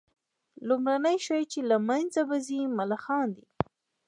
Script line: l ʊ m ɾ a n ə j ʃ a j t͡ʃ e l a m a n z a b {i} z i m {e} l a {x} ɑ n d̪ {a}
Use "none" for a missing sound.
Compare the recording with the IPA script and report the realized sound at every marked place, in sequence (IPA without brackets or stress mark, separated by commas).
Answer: a, a, x, i